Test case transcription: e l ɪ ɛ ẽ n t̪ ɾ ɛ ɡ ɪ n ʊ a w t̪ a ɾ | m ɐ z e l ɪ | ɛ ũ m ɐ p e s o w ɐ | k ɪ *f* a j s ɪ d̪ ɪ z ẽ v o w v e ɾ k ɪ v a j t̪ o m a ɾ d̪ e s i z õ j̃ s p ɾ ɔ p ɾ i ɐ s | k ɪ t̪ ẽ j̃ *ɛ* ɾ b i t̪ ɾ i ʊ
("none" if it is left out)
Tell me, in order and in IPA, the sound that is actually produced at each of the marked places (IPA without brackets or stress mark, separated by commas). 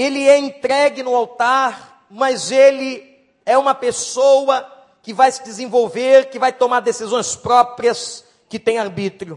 v, a